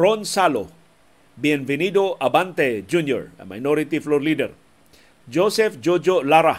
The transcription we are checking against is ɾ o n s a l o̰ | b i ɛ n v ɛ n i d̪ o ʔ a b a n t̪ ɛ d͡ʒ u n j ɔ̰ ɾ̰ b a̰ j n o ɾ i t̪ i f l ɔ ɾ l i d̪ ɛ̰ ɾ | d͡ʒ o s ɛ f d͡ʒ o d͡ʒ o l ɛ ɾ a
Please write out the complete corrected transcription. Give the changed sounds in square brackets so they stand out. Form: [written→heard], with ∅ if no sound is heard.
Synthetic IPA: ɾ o n s a l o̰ | b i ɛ n v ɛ n i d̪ o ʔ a b a n t̪ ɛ d͡ʒ u n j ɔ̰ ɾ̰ [b→m] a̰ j n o ɾ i t̪ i f l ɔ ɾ l i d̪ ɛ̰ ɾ | d͡ʒ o s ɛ f d͡ʒ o d͡ʒ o l [ɛ→a] ɾ a